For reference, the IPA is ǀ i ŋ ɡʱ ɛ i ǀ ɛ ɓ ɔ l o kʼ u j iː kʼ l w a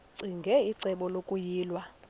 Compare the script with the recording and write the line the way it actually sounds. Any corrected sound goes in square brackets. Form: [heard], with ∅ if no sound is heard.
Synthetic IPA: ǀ i ŋ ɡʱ ɛ i ǀ ɛ ɓ ɔ l o kʼ u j iː [∅] l w a